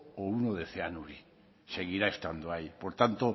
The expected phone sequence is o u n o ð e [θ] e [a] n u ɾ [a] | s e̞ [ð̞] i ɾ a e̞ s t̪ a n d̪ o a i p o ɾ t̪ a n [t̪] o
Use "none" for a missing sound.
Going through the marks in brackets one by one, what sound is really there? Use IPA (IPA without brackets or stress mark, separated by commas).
θ, a, i, ɣ̞, t̪